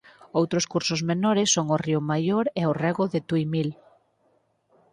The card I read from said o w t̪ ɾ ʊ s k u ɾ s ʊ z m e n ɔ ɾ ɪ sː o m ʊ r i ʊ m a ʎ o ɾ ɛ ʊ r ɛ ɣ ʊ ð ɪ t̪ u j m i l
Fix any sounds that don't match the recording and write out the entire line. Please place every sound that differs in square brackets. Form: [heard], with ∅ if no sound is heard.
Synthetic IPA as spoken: o w t̪ ɾ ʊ s k u ɾ s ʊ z m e n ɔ ɾ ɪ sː o [ŋ] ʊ r i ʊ m a [j] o ɾ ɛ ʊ r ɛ ɣ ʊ ð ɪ t̪ u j m i l